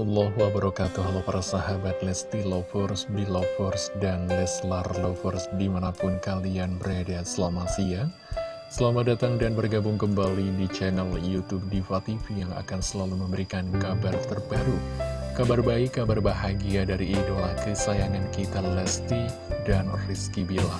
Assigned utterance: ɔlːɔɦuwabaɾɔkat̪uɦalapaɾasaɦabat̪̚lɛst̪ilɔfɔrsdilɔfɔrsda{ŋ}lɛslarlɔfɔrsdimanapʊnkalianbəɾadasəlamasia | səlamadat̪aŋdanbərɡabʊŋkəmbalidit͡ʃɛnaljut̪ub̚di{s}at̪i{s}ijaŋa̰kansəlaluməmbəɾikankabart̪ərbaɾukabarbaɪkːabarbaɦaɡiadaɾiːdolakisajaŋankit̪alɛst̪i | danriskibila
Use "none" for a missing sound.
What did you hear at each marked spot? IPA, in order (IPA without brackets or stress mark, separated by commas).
n, f, f